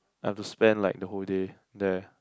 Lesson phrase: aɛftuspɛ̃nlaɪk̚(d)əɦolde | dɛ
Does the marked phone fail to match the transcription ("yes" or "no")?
no